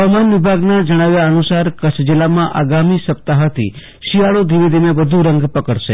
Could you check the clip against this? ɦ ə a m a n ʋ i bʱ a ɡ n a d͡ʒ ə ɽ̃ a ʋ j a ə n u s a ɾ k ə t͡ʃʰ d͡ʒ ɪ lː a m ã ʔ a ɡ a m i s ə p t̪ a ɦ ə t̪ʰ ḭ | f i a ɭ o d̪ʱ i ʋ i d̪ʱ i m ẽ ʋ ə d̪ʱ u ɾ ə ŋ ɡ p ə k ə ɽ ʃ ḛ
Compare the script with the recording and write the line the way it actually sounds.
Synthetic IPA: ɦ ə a m a n ʋ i bʱ a ɡ n a d͡ʒ ə ɽ̃ a ʋ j a ə n u s a ɾ k ə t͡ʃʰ d͡ʒ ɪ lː a m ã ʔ a ɡ a m i s ə p t̪ a ɦ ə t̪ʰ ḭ | ʃ i a ɭ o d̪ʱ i ʋ i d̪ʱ i m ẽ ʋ ə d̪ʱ u ɾ ə ŋ ɡ p ə k ə ɽ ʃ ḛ